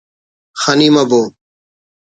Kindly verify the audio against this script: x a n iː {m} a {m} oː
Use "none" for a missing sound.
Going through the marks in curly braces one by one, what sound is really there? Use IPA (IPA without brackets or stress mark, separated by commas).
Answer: m, b